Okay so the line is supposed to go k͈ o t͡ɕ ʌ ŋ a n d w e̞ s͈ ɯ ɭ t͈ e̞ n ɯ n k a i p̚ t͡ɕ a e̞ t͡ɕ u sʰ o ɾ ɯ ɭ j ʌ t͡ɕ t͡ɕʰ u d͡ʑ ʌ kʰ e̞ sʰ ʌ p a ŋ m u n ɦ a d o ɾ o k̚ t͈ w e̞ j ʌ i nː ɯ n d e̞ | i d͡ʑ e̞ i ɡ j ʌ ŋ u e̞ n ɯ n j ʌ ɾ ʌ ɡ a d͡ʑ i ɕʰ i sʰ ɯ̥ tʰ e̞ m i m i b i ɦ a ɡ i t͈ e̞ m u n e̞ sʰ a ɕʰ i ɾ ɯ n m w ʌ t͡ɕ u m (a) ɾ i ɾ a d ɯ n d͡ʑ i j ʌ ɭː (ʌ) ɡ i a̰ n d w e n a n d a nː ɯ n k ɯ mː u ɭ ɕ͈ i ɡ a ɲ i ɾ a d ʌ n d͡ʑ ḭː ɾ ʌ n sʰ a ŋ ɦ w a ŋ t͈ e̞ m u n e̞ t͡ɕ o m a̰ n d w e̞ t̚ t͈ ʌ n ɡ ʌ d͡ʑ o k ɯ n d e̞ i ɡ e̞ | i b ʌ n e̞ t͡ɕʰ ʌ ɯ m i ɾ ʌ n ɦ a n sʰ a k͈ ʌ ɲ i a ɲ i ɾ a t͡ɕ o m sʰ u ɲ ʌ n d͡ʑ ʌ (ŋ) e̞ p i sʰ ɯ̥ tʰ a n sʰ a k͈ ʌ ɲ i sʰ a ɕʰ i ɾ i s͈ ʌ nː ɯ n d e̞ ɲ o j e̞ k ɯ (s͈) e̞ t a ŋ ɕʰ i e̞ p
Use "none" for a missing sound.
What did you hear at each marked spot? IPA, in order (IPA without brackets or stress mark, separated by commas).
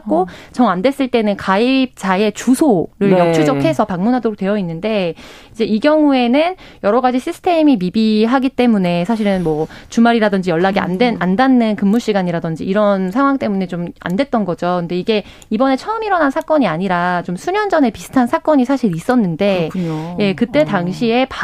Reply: a, a, n, t͈